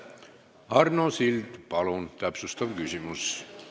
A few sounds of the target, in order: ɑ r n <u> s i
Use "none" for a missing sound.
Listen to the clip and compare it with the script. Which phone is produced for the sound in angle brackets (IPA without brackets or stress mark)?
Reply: o